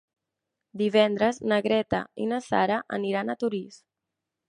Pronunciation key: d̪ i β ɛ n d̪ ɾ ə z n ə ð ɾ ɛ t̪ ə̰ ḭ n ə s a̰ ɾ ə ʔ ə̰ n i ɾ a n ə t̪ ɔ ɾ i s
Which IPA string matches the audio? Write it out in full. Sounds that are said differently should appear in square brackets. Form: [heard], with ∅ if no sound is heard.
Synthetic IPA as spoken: d̪ i β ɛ n d̪ ɾ ə z n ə [ɣ] ɾ ɛ t̪ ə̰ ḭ n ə s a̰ ɾ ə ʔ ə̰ n i ɾ a n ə t̪ [u] ɾ i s